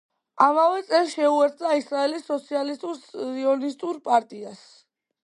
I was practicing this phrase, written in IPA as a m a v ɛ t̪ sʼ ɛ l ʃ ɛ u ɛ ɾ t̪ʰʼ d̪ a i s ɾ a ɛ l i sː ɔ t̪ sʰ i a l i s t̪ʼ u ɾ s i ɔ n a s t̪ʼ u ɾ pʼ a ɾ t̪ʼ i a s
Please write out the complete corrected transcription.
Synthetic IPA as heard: a m a v ɛ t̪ sʼ ɛ l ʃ ɛ u ɛ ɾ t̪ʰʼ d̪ a i s ɾ a ɛ l i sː ɔ t̪ sʰ i a l i s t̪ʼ u ɾ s i ɔ n i s t̪ʼ u ɾ pʼ a ɾ t̪ʼ i a s